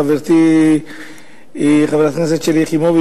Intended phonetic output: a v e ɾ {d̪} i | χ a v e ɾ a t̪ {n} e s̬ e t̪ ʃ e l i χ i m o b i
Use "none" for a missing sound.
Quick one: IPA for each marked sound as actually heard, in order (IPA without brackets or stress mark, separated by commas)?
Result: t̪, n